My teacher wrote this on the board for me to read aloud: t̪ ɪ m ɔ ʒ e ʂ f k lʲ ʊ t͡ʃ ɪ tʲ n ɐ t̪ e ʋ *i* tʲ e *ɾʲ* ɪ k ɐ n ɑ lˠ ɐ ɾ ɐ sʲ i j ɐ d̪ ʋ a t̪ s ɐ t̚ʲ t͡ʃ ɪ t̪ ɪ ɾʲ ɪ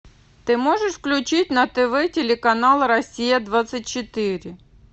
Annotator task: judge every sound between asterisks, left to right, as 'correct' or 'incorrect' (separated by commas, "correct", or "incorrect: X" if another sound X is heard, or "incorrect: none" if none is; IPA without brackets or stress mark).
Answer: incorrect: ɛ, incorrect: lʲ